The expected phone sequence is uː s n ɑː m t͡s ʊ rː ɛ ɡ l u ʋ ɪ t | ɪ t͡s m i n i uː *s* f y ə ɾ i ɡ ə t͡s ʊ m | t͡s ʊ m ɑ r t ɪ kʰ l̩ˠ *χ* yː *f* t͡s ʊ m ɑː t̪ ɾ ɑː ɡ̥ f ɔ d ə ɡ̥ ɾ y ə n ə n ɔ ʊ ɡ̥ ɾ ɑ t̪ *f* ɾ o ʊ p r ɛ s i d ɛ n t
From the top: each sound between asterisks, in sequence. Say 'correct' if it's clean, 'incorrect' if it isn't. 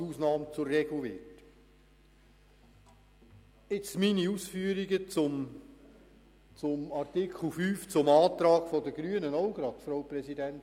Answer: correct, incorrect: f, correct, correct

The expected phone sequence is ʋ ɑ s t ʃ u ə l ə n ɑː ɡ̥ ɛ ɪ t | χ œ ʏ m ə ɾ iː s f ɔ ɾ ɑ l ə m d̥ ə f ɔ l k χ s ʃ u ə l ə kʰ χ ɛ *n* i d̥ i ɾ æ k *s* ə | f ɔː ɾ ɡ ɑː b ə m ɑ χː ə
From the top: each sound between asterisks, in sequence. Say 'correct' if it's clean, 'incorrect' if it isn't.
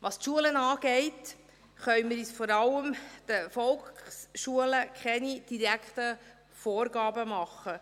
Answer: correct, incorrect: t

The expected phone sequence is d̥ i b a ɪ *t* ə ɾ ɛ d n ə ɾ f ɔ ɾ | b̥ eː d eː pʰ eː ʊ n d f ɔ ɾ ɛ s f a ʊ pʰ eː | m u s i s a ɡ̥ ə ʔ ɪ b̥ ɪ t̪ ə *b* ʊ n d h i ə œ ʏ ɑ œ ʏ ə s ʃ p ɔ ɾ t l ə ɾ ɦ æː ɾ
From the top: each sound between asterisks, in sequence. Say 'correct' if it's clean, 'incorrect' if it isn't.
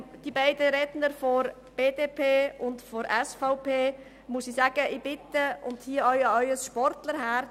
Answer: incorrect: d, incorrect: none

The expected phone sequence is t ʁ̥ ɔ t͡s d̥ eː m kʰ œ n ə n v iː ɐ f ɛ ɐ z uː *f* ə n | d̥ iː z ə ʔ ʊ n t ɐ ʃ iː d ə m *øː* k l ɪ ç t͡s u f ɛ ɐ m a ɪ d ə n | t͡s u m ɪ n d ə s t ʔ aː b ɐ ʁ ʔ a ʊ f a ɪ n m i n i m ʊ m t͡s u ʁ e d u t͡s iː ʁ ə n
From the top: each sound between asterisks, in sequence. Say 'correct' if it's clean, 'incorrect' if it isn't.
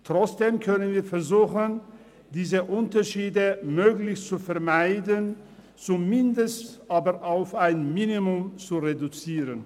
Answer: incorrect: x, correct

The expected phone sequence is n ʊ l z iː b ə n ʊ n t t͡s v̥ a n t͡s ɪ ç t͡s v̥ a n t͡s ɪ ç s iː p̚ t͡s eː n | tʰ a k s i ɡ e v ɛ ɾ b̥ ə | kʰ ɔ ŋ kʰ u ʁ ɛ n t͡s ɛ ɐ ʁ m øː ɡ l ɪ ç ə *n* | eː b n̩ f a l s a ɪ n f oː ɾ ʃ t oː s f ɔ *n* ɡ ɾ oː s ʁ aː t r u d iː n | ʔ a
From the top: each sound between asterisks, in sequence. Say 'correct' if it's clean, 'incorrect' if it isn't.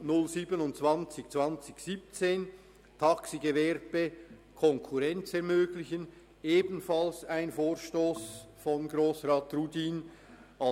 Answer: correct, correct

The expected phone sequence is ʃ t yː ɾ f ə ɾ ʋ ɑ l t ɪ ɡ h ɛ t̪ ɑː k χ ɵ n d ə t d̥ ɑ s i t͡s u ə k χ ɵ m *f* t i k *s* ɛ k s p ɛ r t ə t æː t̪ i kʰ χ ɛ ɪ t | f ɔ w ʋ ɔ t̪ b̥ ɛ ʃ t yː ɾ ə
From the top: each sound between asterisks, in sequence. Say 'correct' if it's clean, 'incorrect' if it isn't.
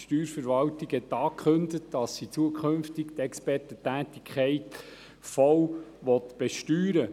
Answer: correct, incorrect: t

